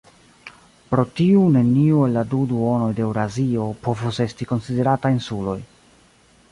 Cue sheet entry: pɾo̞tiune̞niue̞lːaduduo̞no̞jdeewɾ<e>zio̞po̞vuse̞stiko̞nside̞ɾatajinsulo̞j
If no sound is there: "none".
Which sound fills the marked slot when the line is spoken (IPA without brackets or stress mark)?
a